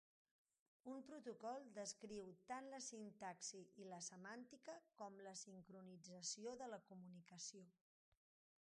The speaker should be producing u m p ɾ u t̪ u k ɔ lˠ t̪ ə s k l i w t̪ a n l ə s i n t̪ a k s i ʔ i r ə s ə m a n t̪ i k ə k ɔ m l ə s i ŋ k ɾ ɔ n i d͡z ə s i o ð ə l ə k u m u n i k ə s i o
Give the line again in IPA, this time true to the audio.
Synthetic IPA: u m p ɾ u t̪ u k ɔ lˠ d̪ ə s k ɾ i w t̪ a n l ə s i n t̪ a k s i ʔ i l ə s ə m a n t̪ i k ə k ɔ m l ə s i ŋ k ɾ u n i d͡z ə s i o ð ə l ə k u m u n i k ə s i o